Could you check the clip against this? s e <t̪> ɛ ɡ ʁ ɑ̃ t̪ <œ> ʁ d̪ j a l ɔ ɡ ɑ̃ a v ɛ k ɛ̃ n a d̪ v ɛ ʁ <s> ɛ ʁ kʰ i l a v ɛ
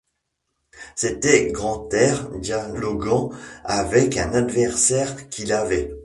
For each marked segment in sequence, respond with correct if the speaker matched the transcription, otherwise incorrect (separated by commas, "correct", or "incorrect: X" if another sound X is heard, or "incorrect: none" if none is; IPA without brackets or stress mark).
correct, incorrect: ɛ, correct